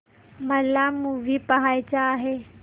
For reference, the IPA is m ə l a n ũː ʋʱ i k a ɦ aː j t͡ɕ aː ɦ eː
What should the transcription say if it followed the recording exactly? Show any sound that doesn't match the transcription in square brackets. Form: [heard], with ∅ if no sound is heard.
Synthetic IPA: m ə l a [m] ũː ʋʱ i [p] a ɦ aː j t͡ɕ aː ɦ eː